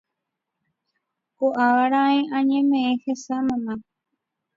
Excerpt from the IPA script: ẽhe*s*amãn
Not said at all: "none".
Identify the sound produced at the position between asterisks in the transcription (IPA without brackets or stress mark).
s